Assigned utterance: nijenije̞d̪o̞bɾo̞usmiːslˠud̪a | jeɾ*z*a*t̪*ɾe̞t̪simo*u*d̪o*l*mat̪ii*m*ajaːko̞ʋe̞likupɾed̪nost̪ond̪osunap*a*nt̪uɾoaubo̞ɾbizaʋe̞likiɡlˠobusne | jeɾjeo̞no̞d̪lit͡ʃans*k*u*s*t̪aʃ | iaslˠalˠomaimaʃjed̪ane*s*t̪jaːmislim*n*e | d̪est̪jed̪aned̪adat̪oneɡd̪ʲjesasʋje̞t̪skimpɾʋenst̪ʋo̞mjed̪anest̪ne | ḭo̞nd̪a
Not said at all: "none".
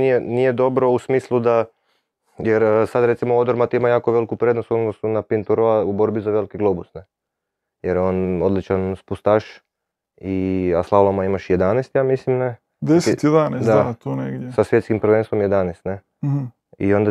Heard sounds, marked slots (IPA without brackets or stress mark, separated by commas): s, d̪, o, ɾ, m, i, p, s, s, n